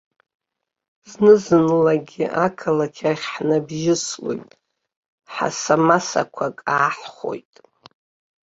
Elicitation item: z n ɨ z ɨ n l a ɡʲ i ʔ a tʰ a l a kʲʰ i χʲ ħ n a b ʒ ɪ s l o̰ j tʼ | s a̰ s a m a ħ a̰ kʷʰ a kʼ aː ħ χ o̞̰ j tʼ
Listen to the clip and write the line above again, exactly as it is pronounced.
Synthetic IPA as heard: z n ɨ z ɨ n l a ɡʲ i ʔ a kʰ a l a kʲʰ a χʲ ħ n a b ʒ ɪ s l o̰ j tʼ | ħ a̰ s a m a s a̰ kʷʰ a kʼ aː ħ χ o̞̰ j tʼ